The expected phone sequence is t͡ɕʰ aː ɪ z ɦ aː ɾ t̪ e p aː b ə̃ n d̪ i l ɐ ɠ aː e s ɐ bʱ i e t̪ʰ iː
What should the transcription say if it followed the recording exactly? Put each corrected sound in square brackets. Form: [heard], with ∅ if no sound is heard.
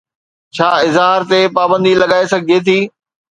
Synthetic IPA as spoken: t͡ɕʰ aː ɪ z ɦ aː ɾ t̪ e p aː b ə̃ n d̪ i l ɐ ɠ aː e s ɐ [ɡʱ] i e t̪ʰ iː